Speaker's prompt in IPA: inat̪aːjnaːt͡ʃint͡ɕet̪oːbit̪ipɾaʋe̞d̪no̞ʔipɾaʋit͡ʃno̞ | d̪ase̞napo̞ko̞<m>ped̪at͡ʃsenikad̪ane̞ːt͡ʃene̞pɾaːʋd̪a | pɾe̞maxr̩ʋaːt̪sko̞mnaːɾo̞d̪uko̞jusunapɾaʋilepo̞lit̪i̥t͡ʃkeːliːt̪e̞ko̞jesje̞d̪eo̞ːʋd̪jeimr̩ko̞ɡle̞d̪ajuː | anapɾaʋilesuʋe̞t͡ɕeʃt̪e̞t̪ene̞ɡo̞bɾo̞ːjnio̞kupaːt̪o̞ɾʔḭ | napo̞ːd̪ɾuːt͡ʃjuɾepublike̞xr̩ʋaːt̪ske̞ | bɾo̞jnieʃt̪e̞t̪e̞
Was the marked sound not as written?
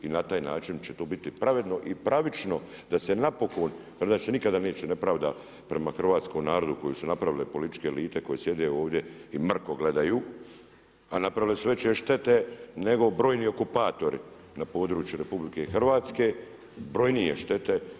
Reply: yes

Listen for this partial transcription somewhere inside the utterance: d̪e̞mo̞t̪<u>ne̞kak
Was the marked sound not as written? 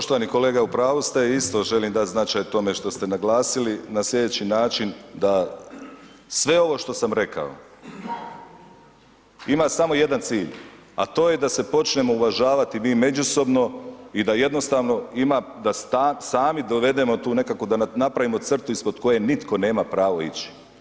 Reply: yes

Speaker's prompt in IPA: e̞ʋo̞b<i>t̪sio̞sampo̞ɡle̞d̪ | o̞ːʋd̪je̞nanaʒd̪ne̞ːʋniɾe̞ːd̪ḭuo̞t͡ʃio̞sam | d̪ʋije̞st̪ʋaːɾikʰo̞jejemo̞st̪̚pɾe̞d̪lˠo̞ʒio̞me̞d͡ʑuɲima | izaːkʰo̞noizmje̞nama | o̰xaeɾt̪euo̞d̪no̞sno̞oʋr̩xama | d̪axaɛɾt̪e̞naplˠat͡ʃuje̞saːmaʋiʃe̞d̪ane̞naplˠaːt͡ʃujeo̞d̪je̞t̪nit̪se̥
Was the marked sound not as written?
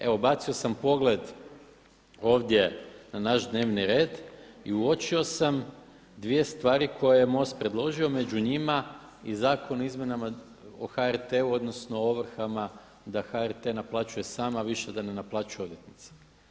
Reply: yes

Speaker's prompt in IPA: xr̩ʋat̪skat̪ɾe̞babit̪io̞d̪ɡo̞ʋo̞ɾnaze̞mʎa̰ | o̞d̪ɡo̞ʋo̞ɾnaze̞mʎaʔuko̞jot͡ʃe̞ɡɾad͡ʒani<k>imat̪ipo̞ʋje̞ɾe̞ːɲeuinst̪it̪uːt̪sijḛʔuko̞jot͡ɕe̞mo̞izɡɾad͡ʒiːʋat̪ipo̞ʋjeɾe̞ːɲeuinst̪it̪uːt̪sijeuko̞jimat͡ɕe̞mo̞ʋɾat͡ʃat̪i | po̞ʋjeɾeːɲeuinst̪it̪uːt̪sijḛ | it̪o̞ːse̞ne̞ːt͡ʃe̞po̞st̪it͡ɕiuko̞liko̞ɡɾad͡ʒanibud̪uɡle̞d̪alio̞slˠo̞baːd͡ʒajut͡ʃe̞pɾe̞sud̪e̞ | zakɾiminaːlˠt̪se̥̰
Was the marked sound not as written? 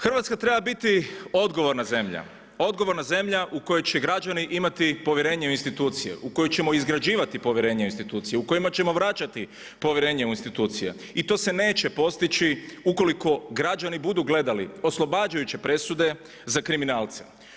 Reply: yes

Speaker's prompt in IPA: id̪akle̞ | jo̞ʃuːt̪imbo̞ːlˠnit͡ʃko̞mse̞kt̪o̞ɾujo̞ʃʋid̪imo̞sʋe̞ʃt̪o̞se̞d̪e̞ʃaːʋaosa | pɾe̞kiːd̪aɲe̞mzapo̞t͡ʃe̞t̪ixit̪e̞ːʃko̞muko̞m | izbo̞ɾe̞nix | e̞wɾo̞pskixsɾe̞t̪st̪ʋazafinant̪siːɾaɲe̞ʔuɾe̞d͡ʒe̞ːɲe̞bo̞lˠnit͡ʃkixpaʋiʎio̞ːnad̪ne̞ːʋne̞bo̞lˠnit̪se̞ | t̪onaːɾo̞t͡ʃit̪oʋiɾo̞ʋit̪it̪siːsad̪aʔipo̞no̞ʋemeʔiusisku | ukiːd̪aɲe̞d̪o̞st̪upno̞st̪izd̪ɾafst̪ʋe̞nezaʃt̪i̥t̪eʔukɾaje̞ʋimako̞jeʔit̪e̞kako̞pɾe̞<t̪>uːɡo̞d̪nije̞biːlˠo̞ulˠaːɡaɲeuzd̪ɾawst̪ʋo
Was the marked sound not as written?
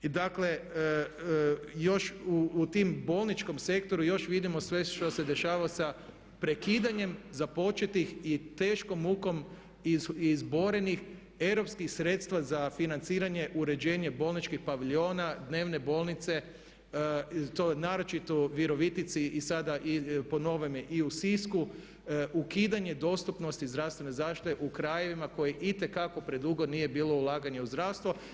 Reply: yes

